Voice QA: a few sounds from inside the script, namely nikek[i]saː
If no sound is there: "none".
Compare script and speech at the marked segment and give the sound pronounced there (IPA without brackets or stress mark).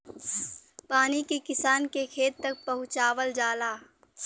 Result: ɪ